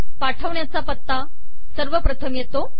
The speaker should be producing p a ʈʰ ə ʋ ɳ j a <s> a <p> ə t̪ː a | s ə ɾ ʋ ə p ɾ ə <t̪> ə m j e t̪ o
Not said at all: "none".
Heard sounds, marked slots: t͡s, p, t̪ʰ

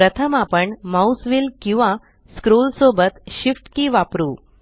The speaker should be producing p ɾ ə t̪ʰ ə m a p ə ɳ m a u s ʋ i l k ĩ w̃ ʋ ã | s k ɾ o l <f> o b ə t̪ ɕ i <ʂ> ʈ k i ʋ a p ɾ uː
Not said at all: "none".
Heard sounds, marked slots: s, f

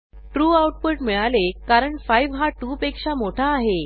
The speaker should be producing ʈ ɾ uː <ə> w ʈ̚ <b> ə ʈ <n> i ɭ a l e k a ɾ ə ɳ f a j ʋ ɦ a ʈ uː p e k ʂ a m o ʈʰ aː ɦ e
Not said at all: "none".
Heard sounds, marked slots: a, p, m

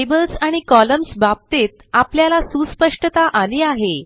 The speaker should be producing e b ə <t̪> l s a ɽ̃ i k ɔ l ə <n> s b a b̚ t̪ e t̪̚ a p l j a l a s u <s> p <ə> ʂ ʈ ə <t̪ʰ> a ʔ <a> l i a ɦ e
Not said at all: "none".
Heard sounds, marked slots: none, m, s, ə, t̪, a

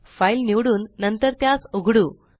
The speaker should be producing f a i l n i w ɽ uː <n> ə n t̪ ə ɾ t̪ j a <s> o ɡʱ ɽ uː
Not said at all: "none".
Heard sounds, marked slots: nː, s

